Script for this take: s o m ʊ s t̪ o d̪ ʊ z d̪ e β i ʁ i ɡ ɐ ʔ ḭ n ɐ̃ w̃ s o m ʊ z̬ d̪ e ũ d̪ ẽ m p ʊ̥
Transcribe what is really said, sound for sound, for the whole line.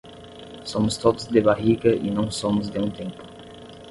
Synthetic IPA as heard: s o m ʊ s t̪ o d̪ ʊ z d̪ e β a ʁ i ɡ ɐ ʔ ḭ n ɐ̃ w̃ s o m ʊ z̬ d̪ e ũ t̪ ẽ m p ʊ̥

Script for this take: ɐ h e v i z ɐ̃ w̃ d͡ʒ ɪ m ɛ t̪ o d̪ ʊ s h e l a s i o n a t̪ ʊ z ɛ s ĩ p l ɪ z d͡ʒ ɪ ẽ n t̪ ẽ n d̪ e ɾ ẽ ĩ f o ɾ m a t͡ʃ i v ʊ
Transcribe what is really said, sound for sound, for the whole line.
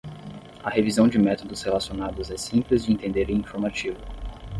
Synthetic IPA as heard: ɐ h e v i z ɐ̃ w̃ d͡ʒ ɪ m ɛ t̪ o d̪ ʊ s h e l a s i o n a d̪ ʊ z ɛ s ĩ p l ɪ z d͡ʒ ɪ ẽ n t̪ ẽ n d̪ e ɾ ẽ ĩ f o ɾ m a t͡ʃ i v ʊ

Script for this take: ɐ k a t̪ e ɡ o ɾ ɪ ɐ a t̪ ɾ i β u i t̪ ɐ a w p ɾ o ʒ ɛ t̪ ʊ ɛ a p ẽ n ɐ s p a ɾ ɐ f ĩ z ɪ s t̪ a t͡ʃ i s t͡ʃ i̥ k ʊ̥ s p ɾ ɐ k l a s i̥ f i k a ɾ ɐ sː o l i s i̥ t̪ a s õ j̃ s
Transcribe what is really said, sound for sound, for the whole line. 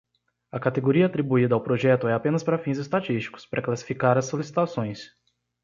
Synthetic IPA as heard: ɐ k a t̪ e ɡ o ɾ i ɐ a t̪ ɾ i b u i d̪ ɐ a w p ɾ o ʒ ɛ t̪ ʊ ɛ a p ẽ n ɐ s p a ɾ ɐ f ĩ z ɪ s t̪ a t͡ʃ i s t͡ʃ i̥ k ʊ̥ s p ɾ ɐ k l a s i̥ f i k a ɾ ɐ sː o l i s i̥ t̪ a s õ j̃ s

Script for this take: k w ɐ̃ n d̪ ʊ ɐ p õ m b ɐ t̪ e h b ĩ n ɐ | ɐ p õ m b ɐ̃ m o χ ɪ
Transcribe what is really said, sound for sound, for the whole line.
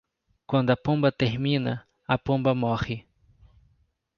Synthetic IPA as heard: k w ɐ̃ n d̪ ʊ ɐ p õ m b ɐ t̪ e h m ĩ n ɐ | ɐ p õ m b ɐ m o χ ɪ

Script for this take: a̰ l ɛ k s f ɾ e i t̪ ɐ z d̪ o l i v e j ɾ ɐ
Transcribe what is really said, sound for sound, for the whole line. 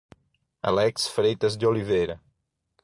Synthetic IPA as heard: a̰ l ɛ k s f ɾ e j t̪ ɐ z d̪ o l i v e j ɾ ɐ

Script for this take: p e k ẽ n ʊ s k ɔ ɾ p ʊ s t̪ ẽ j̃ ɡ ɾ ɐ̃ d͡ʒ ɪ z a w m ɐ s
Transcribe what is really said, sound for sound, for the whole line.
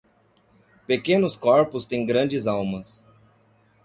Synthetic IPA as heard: p e k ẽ n ʊ s k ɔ ɾ p ʊ s t̪ ẽ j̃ ɡ ɾ ɐ̃ d͡ʒ ɪ z a w m ɐ s

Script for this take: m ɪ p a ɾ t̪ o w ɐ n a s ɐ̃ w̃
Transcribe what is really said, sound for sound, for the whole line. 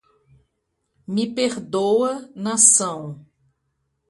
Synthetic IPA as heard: m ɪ p e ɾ d̪ o w ɐ n a s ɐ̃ w̃

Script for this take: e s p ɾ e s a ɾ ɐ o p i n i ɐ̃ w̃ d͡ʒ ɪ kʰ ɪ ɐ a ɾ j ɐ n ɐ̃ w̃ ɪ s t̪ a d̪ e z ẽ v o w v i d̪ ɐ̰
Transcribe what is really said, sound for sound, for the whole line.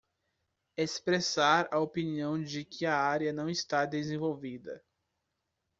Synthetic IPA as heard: e s p ɾ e s a ɾ ɐ o p i n i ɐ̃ w̃ d͡ʒ ɪ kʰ ɪ ɐ a ɾ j ɐ n ɐ̃ w̃ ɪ s t̪ a d̪ e z ẽ v o w v i d̪ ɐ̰

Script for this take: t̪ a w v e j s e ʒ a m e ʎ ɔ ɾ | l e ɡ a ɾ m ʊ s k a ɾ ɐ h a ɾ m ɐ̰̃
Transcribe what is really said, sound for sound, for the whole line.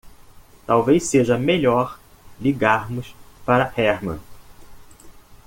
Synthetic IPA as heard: t̪ a w v e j s e ʒ ɐ m e ʎ ɔ ɾ | l i ɡ a ɾ m ʊ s p a ɾ ɐ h ɛ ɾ m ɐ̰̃

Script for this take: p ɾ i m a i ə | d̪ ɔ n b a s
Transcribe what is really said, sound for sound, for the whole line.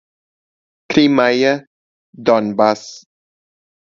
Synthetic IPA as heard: k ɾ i m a j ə | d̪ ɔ n b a s

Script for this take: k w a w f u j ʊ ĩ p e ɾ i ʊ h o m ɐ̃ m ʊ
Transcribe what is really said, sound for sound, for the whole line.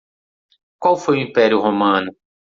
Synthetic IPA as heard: k w a w f o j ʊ ĩ p ɛ ɾ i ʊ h o m ɐ̃ n ʊ

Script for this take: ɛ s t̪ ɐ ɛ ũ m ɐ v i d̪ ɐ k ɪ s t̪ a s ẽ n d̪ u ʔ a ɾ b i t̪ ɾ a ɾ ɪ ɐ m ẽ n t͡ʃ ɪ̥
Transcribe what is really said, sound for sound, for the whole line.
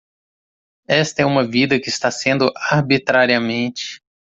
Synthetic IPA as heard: ɛ s t̪ ɐ ɛ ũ m ɐ v i d̪ ɐ k ɪ s t̪ a s ẽ n d̪ ʊ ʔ a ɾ b i t̪ ɾ a ɾ i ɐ m ẽ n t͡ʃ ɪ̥

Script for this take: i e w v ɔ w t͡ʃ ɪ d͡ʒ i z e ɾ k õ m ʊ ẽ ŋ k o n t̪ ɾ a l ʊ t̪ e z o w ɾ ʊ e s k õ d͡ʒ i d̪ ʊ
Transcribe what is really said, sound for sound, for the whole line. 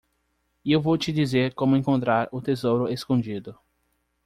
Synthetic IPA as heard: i e w v o w t͡ʃ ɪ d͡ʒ i z e ɾ k õ m ʊ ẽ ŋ k õ n t̪ ɾ a ɾ ʊ t̪ e z o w ɾ ʊ e s k õ d͡ʒ i d̪ ʊ

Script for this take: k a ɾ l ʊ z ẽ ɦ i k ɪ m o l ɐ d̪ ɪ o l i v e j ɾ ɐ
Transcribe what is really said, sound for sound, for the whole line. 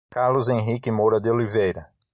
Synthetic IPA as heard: k a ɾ l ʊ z ẽ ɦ i k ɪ m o ɾ ɐ d̪ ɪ o l i v e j ɾ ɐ

